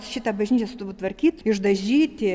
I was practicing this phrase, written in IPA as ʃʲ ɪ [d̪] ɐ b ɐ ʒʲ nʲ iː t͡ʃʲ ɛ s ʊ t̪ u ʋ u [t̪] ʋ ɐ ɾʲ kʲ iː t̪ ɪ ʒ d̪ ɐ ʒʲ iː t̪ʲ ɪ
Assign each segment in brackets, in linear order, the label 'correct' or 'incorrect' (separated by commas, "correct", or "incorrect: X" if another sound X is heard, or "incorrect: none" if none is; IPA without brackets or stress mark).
incorrect: t̪, correct